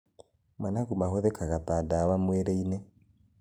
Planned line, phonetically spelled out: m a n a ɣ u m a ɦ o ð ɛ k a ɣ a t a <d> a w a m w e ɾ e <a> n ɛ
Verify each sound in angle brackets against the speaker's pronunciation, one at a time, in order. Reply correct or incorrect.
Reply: correct, incorrect: i

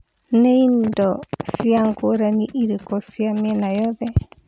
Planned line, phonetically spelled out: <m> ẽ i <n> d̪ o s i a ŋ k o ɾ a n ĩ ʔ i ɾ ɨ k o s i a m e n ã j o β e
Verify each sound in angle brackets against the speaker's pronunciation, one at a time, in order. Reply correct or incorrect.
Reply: incorrect: n, correct

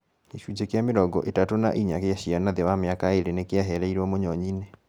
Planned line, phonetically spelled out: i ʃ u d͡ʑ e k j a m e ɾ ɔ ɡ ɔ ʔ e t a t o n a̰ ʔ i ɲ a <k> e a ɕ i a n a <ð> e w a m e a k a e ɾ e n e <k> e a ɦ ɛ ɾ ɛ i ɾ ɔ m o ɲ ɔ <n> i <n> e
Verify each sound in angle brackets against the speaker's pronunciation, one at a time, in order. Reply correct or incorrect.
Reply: correct, correct, correct, incorrect: ɲ, correct

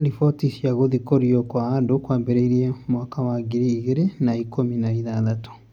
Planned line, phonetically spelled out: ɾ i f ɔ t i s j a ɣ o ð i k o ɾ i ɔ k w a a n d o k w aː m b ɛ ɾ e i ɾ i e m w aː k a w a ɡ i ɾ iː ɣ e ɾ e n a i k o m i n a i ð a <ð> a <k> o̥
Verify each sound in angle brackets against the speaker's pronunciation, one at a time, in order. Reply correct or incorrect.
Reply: correct, incorrect: t

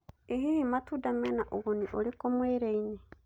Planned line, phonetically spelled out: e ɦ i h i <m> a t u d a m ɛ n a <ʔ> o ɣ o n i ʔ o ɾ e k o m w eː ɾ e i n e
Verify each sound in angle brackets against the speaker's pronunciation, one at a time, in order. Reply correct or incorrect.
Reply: correct, correct

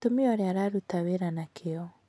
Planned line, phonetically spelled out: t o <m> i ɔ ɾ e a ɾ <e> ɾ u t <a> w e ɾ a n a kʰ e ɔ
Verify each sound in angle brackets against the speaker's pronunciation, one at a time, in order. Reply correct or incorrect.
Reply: correct, incorrect: a, correct

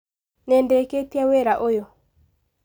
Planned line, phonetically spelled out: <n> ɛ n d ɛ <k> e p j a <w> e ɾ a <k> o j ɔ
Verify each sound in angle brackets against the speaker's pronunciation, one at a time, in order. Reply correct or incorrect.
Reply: correct, correct, correct, incorrect: ʔ

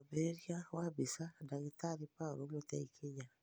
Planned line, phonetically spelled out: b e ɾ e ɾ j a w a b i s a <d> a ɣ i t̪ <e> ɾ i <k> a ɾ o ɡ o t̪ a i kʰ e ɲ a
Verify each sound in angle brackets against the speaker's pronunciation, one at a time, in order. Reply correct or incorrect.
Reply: correct, incorrect: a, incorrect: p

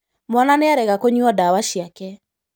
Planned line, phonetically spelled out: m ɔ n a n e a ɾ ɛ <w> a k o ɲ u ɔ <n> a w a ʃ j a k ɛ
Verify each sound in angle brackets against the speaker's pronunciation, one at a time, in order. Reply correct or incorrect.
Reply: incorrect: ɣ, incorrect: d

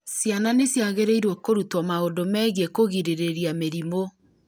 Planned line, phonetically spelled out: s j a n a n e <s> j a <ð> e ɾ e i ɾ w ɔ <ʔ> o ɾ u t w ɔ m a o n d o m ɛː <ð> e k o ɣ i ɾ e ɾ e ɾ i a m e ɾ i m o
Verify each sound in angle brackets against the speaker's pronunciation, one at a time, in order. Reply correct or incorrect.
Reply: correct, incorrect: ɣ, incorrect: k, incorrect: ɣ

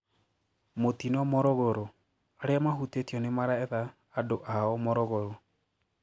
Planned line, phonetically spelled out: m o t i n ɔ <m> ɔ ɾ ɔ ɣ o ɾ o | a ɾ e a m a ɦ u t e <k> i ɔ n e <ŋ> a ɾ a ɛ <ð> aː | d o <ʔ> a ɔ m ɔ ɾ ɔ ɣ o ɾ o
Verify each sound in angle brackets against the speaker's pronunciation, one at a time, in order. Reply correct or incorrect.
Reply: correct, incorrect: t, incorrect: m, correct, correct

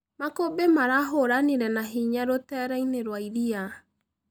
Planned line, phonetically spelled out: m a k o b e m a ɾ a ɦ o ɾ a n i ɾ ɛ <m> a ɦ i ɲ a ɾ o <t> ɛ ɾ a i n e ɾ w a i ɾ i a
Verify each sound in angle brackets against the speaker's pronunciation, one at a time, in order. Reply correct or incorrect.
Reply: incorrect: n, correct

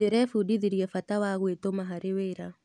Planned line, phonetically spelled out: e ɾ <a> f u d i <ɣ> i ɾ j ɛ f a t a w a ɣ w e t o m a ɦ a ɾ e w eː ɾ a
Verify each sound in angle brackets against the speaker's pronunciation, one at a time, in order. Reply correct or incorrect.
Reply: incorrect: ɛ, incorrect: ð

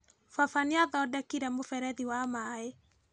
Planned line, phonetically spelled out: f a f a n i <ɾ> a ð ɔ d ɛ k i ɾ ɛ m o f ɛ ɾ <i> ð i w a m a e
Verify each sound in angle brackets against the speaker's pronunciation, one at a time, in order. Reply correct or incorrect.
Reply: incorrect: none, incorrect: ɛ

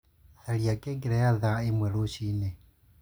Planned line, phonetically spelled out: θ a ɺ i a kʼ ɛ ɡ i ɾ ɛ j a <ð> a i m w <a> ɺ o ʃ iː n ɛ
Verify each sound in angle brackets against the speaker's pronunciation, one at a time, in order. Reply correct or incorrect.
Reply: correct, incorrect: ɛ

